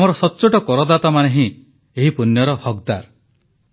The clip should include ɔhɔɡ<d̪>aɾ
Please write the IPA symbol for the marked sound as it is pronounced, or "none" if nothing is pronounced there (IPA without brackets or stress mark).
d̪